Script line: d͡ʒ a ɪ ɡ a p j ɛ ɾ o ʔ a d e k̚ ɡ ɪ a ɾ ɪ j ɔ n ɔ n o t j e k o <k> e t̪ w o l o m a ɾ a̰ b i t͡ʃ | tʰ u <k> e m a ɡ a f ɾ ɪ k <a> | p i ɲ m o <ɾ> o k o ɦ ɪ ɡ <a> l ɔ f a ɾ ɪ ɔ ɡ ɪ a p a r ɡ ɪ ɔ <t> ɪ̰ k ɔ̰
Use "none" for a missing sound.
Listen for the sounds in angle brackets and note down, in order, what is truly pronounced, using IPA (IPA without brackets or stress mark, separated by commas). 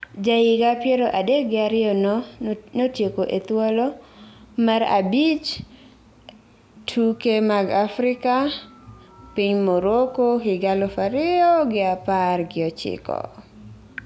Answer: ʔ, k, a, ɾ, a, t͡ʃ